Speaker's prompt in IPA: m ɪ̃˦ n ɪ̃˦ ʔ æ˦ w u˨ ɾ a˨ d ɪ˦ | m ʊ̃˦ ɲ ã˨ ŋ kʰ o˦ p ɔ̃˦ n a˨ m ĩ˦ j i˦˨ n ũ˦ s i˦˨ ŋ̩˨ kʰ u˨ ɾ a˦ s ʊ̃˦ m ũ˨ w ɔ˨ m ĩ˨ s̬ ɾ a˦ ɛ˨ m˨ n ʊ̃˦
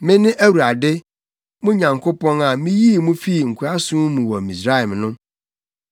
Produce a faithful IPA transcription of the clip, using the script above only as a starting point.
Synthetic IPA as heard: m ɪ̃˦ n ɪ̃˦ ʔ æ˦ w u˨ ɾ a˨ d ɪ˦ | m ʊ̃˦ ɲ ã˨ ŋ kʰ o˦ p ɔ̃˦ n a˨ m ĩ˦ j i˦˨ m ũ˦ f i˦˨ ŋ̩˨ kʰ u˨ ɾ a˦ s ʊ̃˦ m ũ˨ w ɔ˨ m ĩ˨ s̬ ɾ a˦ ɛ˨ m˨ n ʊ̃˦